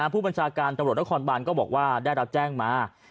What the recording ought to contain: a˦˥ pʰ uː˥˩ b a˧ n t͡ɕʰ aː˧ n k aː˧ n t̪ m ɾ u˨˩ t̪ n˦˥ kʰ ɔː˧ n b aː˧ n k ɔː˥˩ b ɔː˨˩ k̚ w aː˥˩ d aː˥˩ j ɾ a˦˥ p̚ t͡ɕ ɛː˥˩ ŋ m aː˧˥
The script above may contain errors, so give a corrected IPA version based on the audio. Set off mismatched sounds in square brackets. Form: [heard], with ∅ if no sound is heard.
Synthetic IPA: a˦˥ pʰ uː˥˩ b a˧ n t͡ɕʰ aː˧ [∅] k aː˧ n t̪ m ɾ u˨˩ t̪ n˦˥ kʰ ɔː˧ n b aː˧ n k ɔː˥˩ b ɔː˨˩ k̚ w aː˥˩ d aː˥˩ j ɾ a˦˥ p̚ t͡ɕ ɛː˥˩ ŋ m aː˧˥